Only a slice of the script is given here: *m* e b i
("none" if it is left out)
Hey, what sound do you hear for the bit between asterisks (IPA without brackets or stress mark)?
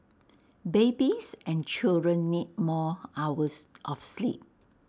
b